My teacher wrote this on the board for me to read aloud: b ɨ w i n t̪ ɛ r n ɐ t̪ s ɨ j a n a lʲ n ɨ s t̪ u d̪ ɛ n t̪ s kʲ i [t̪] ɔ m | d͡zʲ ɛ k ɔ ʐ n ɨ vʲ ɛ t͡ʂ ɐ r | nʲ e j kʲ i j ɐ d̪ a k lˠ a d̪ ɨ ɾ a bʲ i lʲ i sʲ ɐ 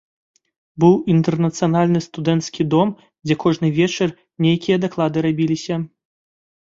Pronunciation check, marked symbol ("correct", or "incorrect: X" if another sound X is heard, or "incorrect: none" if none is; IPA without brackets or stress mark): incorrect: d̪